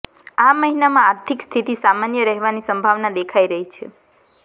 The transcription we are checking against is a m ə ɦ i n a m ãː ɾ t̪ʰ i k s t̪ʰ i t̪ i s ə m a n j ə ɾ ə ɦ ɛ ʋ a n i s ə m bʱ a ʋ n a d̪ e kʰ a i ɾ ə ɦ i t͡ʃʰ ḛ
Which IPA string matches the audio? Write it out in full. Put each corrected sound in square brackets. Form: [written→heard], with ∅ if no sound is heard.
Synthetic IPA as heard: a m ə ɦ i n a m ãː ɾ t̪ʰ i k s t̪ʰ i t̪ i s [ə→a] m a n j ə ɾ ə ɦ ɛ ʋ a n i s ə m bʱ a ʋ n a d̪ e kʰ a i ɾ ə ɦ i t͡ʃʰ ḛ

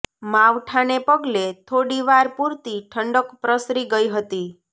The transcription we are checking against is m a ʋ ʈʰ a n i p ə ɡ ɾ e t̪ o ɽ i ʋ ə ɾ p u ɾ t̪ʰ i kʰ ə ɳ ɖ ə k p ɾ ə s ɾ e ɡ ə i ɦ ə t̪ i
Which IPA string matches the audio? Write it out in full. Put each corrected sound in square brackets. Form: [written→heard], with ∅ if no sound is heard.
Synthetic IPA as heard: m a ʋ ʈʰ a n [i→e] p ə ɡ [ɾ→l] e [t̪→t̪ʰ] o ɽ i ʋ [ə→a] ɾ p u ɾ [t̪ʰ→t̪] i [kʰ→ʈʰ] ə ɳ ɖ ə k p ɾ ə s ɾ [e→i] ɡ ə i ɦ ə t̪ i

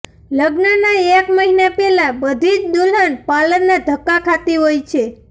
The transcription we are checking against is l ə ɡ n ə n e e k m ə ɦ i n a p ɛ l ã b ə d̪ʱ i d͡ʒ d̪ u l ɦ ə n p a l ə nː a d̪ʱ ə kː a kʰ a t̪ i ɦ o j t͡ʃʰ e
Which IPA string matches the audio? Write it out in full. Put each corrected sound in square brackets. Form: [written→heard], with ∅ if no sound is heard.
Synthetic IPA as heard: l ə ɡ n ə n [e→a] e k m ə ɦ i n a p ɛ l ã b ə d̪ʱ i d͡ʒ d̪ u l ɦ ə n p a l ə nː a d̪ʱ ə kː a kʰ a t̪ i ɦ o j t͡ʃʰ e

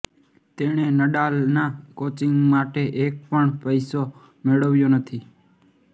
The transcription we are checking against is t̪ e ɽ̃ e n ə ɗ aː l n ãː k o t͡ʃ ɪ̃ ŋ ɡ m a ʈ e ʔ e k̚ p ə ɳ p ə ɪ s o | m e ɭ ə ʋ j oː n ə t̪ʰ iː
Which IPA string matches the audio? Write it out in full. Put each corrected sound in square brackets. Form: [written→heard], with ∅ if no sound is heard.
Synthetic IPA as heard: t̪ e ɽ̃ e n ə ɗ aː l n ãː k o t͡ʃ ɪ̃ ŋ ɡ m a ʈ e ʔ e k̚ p ə ɳ p ə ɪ s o | m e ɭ ə ʋ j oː n ə t̪ʰ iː

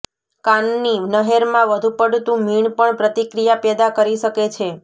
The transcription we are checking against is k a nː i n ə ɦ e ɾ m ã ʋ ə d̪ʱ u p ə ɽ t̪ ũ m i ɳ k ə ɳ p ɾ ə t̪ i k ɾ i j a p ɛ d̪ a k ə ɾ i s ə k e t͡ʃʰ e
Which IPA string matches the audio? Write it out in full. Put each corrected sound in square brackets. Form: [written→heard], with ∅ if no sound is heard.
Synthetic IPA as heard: k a nː i n ə ɦ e ɾ m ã ʋ ə d̪ʱ u p ə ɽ t̪ ũ m i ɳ [k→p] ə ɳ p ɾ ə t̪ i k ɾ i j a p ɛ d̪ a k ə ɾ i [s→ʃ] ə k e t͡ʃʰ e

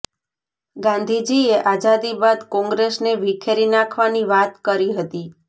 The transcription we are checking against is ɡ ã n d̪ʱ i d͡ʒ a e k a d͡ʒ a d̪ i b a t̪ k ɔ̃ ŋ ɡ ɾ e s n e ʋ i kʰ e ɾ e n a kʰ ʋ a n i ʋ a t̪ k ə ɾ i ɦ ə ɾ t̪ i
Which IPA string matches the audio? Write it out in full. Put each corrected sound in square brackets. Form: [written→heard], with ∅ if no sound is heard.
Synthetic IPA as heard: ɡ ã n d̪ʱ i d͡ʒ [a→i] e [k→ʔ] a d͡ʒ a d̪ i b a [t̪→d̪] k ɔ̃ ŋ ɡ ɾ e s n e ʋ i kʰ e ɾ [e→i] n a kʰ ʋ a n i ʋ a t̪ k ə ɾ i ɦ ə [ɾ→∅] t̪ i

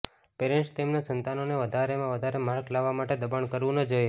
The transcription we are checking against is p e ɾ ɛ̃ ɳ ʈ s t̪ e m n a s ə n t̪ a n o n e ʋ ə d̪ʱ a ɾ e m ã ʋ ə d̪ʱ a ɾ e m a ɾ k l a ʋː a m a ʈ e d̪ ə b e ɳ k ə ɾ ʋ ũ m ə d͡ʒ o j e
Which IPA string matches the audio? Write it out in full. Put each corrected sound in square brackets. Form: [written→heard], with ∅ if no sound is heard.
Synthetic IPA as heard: p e ɾ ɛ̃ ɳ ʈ s t̪ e m n a s ə n t̪ a n o n e ʋ ə d̪ʱ a ɾ e m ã ʋ ə d̪ʱ a ɾ e m a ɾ k l a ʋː a m a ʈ e d̪ ə b [e→a] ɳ k ə ɾ ʋ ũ [m→n] ə d͡ʒ o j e

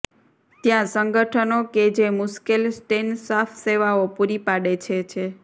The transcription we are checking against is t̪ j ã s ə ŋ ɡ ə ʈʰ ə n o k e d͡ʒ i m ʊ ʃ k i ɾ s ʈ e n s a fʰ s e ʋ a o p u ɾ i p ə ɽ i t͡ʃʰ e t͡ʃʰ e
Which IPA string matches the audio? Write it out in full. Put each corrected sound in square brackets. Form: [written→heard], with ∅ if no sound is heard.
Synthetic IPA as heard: t̪ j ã s ə ŋ ɡ ə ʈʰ ə n o k e d͡ʒ [i→e] m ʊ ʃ k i [ɾ→l] s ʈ e n s a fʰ s e ʋ a o p u ɾ i p [ə→a] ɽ [i→e] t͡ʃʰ e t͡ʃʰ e

